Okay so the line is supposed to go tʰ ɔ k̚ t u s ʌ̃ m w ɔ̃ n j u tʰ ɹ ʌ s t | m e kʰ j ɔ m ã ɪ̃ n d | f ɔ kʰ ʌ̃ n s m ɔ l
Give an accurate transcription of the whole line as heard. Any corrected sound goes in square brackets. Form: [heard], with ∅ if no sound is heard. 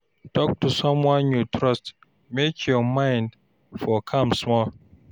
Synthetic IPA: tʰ ɔ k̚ t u s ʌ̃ m w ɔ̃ n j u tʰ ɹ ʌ s t | m e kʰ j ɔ m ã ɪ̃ n d | f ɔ kʰ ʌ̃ [m] s m ɔ l